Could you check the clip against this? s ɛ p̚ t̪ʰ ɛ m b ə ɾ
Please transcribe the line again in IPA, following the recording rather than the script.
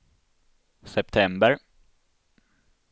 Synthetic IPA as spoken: s ɛ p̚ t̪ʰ ɛ m b ə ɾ